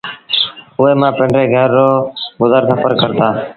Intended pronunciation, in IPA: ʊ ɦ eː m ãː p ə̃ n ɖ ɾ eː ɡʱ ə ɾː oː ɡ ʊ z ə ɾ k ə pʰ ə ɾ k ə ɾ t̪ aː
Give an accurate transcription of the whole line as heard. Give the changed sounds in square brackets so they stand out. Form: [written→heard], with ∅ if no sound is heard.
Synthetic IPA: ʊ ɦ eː m ãː p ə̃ [n→ɳ] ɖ ɾ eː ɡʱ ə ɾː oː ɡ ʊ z ə ɾ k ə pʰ ə ɾ k ə ɾ t̪ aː